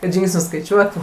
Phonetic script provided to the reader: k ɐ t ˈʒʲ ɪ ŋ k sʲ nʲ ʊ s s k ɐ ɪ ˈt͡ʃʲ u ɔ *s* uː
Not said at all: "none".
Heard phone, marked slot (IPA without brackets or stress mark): t